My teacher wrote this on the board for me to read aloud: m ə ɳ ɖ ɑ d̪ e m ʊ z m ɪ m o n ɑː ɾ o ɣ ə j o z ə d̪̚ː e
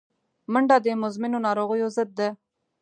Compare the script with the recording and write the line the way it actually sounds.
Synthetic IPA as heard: m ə ɳ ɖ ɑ d̪ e m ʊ z m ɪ n o n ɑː ɾ o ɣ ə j o z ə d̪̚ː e